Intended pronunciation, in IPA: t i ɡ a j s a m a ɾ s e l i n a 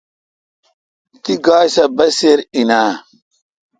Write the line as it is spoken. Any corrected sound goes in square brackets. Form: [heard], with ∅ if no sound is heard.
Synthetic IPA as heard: t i ɡ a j s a [b] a [∅] s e [ɾ] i n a